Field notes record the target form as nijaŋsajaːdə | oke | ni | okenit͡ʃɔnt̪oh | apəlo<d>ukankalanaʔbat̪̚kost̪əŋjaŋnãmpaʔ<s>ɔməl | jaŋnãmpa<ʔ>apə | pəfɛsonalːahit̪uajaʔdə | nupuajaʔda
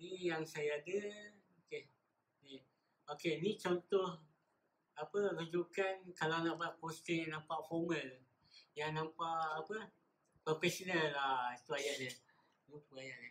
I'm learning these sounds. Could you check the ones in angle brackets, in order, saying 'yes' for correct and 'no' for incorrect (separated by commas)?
no, no, yes